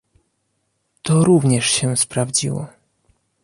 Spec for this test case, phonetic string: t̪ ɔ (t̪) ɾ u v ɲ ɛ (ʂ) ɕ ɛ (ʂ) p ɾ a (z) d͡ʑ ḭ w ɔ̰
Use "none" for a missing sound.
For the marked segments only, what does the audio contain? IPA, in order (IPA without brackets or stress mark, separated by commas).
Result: none, ʂ, s, v